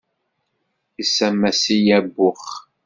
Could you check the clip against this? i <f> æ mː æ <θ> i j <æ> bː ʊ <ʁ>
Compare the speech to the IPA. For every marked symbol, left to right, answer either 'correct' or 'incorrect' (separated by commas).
incorrect, incorrect, correct, incorrect